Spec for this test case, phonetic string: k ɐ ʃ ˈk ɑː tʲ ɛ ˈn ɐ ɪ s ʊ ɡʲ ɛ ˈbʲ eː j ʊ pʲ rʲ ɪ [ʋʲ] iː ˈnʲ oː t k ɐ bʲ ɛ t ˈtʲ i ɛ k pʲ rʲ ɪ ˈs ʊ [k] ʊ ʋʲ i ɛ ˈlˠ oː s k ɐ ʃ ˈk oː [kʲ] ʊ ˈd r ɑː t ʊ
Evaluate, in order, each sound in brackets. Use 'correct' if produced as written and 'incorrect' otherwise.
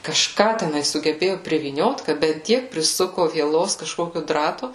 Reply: correct, correct, correct

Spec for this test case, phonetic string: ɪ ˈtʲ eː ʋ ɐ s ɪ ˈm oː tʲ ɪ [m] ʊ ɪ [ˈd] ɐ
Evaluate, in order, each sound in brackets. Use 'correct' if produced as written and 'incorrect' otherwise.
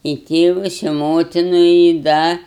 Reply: incorrect, correct

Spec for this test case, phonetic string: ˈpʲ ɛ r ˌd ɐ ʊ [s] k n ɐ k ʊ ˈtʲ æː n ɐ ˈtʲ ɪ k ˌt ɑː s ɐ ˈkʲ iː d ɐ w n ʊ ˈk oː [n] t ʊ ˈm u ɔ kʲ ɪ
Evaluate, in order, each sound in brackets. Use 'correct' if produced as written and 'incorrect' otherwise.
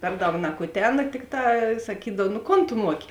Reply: incorrect, correct

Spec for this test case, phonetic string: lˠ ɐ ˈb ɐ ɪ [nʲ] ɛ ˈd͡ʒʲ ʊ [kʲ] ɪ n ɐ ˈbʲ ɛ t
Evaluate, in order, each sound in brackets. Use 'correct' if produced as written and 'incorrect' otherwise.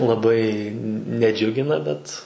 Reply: correct, incorrect

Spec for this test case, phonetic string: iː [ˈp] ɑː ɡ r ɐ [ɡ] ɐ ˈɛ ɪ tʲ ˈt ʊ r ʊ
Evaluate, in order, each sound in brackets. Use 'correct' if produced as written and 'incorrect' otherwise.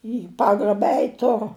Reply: correct, incorrect

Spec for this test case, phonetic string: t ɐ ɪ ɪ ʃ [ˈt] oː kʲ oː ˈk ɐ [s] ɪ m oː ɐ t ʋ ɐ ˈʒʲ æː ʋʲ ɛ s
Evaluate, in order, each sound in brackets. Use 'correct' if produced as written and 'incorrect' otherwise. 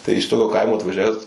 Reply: correct, incorrect

